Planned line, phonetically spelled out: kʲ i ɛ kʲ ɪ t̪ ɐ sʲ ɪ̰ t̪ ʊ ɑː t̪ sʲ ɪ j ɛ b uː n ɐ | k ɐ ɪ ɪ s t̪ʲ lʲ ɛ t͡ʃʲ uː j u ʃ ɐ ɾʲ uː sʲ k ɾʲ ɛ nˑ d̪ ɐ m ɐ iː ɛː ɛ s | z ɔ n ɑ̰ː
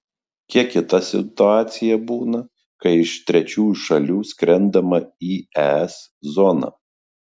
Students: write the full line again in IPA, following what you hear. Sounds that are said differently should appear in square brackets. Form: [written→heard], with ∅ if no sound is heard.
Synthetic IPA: kʲ i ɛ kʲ ɪ t̪ ɐ sʲ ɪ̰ t̪ ʊ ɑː t̪ sʲ ɪ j ɛ b uː n ɐ | k ɐ ɪ ɪ [s→ʃ] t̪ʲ [lʲ→ɾʲ] ɛ t͡ʃʲ uː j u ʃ ɐ [ɾʲ→lʲ] uː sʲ k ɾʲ ɛ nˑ d̪ ɐ m ɐ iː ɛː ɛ s | z ɔ n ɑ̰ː